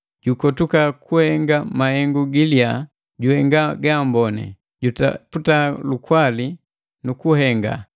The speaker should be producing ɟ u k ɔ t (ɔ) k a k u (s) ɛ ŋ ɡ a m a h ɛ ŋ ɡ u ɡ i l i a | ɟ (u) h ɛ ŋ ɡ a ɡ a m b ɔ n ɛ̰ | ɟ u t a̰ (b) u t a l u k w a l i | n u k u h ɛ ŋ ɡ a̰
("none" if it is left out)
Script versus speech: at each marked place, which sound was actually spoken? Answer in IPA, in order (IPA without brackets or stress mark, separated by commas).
u, h, u, p